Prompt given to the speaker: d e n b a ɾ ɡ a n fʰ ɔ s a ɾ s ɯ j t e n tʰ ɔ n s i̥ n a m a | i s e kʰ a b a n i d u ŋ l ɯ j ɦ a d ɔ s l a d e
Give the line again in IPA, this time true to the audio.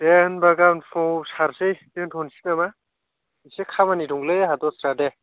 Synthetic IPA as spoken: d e n b a ɡ a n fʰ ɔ s a ɾ s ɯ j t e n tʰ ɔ n s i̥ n a m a | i s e kʰ a m a n i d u ŋ l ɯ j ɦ a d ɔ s ɾ a d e